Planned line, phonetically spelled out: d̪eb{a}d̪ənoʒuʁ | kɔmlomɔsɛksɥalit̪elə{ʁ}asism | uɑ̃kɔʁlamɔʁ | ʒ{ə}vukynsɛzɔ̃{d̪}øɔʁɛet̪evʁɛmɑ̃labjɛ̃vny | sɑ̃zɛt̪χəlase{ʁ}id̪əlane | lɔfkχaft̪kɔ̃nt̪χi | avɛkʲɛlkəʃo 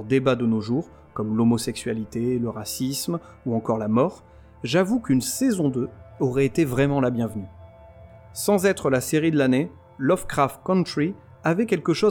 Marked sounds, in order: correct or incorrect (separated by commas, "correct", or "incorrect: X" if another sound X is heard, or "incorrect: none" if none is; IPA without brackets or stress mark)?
correct, correct, incorrect: a, correct, correct